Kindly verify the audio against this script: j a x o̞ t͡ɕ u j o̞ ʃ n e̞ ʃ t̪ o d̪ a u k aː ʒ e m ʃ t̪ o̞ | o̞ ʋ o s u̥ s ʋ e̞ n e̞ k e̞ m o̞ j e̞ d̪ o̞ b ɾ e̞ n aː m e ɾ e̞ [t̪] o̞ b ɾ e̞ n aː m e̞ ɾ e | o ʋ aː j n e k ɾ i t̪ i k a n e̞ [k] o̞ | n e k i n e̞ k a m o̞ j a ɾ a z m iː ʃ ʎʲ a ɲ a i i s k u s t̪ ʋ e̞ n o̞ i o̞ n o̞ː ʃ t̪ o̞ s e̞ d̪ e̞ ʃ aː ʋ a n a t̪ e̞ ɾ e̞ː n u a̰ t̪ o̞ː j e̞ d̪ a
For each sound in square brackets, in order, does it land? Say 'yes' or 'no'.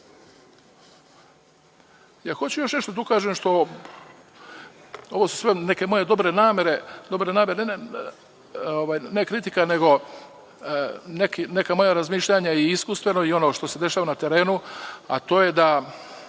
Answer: no, no

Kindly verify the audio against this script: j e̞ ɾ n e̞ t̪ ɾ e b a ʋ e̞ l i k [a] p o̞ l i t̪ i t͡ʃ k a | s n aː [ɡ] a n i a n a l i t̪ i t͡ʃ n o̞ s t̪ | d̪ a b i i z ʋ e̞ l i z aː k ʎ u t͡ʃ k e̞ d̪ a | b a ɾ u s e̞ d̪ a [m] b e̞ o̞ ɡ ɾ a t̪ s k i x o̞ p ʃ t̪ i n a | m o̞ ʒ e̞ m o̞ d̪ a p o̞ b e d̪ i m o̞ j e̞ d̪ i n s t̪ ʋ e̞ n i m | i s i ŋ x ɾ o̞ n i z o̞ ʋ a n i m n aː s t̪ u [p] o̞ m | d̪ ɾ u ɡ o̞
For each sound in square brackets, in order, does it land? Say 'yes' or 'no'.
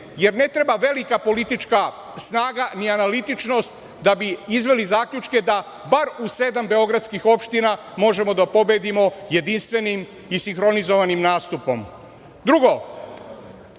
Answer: yes, yes, yes, yes

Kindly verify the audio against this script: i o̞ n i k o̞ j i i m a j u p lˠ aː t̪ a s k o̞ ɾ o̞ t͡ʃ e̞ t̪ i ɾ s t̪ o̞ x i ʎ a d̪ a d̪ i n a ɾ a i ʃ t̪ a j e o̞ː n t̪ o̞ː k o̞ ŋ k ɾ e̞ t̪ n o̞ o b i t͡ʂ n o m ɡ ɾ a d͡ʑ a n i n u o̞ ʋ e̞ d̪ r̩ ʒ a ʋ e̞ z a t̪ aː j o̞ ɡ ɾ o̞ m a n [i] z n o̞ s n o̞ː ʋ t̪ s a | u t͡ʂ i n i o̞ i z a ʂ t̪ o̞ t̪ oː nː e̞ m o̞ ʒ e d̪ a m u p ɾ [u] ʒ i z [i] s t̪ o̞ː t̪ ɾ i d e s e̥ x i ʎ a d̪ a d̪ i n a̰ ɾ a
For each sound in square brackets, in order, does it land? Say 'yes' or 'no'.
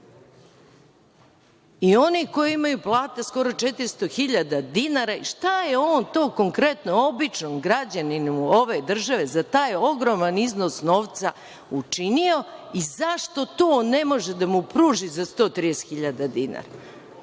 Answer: yes, no, no

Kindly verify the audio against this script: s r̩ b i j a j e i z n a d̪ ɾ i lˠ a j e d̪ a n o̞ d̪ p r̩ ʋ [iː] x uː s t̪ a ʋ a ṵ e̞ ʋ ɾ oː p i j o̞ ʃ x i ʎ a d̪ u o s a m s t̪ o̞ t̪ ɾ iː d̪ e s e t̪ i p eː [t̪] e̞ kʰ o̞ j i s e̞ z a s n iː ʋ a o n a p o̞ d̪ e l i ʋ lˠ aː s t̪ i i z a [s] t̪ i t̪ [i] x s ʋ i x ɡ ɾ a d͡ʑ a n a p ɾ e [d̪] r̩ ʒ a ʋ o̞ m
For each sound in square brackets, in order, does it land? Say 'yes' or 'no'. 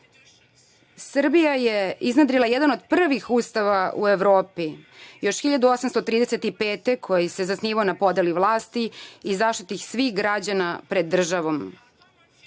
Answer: no, yes, no, yes, no

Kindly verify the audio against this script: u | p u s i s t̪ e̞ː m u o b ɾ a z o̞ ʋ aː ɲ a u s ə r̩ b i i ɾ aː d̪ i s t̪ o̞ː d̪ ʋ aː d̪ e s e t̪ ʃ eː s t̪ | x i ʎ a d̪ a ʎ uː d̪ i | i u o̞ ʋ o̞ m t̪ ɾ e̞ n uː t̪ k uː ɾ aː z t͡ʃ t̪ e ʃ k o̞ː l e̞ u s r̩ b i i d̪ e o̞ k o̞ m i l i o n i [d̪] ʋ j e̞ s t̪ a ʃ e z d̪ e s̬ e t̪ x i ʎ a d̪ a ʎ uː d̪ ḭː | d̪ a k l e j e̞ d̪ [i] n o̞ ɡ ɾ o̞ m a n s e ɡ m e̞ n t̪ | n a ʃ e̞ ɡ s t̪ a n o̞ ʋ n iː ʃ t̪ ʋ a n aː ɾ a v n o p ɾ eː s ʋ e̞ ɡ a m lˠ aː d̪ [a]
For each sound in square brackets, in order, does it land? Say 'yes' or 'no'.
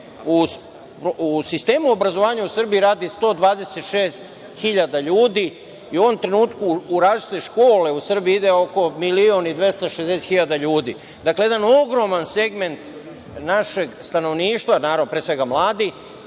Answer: yes, no, no

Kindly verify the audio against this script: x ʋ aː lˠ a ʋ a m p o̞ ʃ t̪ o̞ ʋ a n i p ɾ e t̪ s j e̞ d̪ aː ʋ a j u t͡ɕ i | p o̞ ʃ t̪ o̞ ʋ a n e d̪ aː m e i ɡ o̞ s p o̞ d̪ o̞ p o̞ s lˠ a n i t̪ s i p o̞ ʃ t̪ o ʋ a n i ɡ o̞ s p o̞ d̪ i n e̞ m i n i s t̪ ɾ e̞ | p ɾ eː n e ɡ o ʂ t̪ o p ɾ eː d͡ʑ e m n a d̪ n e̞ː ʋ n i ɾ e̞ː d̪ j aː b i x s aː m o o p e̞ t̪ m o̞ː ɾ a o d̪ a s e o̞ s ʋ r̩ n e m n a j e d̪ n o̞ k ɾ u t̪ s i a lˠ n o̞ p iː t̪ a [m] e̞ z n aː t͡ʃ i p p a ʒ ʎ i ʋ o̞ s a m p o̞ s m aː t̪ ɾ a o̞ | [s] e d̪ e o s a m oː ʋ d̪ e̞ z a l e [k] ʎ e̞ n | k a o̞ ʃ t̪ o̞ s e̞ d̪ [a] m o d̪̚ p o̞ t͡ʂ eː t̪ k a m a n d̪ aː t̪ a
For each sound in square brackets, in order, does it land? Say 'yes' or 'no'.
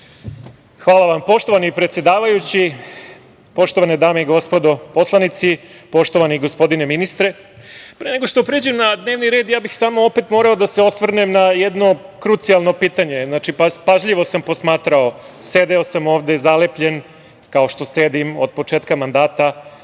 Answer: no, yes, no, no

